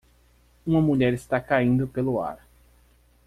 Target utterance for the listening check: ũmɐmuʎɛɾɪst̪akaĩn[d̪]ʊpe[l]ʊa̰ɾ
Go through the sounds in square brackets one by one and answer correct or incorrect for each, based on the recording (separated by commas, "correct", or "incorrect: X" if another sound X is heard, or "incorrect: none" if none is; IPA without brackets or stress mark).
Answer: correct, correct